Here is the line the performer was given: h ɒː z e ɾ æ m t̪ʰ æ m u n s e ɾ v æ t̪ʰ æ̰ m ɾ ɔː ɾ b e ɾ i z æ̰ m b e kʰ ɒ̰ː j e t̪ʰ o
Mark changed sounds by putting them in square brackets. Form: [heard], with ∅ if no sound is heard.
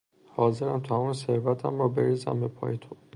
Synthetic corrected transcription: h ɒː z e ɾ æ m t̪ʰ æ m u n s e ɾ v æ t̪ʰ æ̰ m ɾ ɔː [∅] b e ɾ i z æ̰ m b e [pʰ] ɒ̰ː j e t̪ʰ o